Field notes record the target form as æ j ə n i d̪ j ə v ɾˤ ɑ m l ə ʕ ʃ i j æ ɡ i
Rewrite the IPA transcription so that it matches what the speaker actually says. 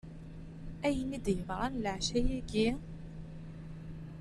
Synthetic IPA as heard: æ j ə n i d̪ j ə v ɾˤ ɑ n l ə ʕ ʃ æ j æ ɡ i